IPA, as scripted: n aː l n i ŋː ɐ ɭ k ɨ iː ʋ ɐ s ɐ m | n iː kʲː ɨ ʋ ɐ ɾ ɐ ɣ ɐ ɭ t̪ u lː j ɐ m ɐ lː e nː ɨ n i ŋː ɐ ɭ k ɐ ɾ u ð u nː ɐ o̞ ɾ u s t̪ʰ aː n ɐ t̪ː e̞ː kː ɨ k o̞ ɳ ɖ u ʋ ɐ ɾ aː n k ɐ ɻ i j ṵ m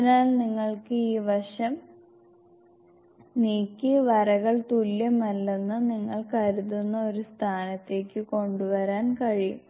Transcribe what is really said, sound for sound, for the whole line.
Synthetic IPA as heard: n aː l n i ŋː ɐ ɭ k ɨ iː ʋ ɐ ʂ ɐ m | n iː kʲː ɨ ʋ ɐ ɾ ɐ ɣ ɐ ɭ t̪ u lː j ɐ m ɐ lː e nː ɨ n i ŋː ɐ ɭ k ɐ ɾ u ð u nː ɐ o̞ ɾ u s t̪ʰ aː n ɐ t̪ː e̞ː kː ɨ k o̞ ɳ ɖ u ʋ ɐ ɾ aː n k ɐ ɻ i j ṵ m